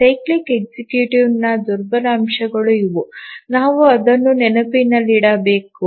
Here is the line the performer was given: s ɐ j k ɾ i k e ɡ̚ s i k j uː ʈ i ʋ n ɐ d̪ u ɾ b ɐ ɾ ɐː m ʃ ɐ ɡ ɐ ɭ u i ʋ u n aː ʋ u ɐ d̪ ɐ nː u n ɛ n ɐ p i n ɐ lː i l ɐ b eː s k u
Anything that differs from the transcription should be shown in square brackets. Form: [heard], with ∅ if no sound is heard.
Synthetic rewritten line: s ɐ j k [l] i k e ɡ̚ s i k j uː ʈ i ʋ n ɐ d̪ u ɾ b ɐ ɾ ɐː m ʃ ɐ ɡ ɐ ɭ u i ʋ u n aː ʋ u ɐ d̪ ɐ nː u n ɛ n ɐ p i n ɐ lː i [ɽ] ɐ b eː [∅] k u